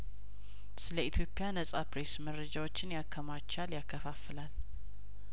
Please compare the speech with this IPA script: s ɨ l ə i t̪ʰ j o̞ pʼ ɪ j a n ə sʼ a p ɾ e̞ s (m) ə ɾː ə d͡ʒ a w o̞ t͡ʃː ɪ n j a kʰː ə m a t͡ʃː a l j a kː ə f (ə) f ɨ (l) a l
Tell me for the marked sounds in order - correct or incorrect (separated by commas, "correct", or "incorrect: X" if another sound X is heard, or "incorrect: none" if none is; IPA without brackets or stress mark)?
correct, incorrect: a, correct